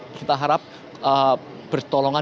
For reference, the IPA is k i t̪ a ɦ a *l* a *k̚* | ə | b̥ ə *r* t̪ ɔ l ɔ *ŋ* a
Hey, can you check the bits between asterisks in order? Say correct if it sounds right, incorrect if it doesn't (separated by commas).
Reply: incorrect, incorrect, correct, correct